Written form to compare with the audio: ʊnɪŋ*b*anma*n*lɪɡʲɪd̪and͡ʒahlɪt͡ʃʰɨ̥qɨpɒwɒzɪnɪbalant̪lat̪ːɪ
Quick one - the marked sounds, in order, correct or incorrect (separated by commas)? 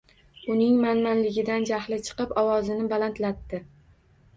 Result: incorrect, correct